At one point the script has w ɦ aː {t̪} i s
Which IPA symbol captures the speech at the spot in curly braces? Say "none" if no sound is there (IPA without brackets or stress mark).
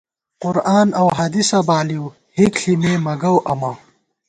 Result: d̪